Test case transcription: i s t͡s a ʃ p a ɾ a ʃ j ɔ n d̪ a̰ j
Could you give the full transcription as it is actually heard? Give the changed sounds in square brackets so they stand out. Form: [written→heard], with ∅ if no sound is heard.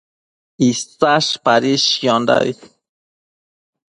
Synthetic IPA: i s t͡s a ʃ p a ɾ [a→i] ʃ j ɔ n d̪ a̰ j